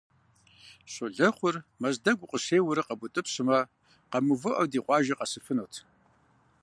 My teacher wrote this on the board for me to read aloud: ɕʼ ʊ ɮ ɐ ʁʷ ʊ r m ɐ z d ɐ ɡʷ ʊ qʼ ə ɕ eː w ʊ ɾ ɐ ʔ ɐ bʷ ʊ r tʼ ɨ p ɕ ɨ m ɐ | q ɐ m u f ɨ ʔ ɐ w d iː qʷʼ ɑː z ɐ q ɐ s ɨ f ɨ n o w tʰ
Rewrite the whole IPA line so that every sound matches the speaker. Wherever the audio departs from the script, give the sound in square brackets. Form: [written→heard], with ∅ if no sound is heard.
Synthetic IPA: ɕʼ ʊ ɮ ɐ [ʁʷ→χʷ] ʊ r m ɐ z d ɐ ɡʷ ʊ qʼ ə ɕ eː w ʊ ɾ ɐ [ʔ→q] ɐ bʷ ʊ [r→∅] tʼ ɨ p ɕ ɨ m ɐ | q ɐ m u [f→v] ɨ ʔ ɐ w d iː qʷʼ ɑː [z→ʒ] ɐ q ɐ s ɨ f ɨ n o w tʰ

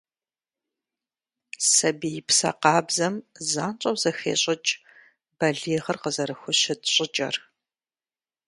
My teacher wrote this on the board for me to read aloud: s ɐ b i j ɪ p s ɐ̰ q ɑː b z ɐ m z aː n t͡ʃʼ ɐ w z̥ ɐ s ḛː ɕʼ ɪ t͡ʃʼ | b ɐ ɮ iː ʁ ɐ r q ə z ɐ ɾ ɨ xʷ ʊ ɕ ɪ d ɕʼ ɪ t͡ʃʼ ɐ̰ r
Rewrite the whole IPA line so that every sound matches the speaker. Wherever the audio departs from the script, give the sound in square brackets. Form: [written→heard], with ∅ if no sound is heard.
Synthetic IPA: s ɐ b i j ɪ p s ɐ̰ q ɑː b z ɐ m z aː n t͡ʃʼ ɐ w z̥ ɐ [s→x] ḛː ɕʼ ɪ t͡ʃʼ | b ɐ ɮ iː ʁ ɐ r q ə z ɐ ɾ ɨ xʷ ʊ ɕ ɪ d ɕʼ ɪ t͡ʃʼ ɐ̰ r

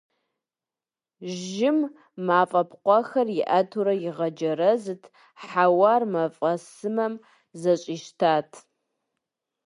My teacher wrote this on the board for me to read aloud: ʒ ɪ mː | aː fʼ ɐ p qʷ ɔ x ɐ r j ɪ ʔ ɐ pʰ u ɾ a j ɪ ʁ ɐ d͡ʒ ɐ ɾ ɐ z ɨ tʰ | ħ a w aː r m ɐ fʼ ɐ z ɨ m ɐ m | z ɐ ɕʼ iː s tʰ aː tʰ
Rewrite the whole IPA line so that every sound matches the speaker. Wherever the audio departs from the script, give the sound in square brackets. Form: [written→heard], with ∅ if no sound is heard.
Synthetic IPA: ʒ ɪ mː | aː fʼ ɐ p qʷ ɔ x ɐ r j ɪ ʔ ɐ [pʰ→tʰ] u ɾ [a→ɐ] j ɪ ʁ ɐ d͡ʒ ɐ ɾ ɐ z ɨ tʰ | ħ a w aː r m ɐ fʼ ɐ [z→s] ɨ m ɐ m | z ɐ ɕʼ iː [s→ʃ] tʰ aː tʰ

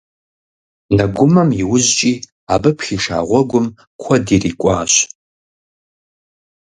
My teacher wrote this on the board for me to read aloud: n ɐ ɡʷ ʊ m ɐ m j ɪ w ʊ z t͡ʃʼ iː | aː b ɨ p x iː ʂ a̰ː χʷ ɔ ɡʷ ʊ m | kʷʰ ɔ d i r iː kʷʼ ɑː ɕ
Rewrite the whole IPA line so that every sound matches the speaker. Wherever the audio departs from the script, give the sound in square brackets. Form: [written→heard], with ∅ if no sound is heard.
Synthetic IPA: n ɐ ɡʷ ʊ m ɐ m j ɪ w ʊ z t͡ʃʼ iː | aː b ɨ p x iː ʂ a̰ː [χʷ→ʁʷ] ɔ ɡʷ ʊ m | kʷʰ ɔ d i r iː kʷʼ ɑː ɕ

